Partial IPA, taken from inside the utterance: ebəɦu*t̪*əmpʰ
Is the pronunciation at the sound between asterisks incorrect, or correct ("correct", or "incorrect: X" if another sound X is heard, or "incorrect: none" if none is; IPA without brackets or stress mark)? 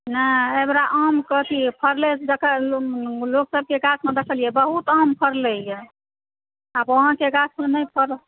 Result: correct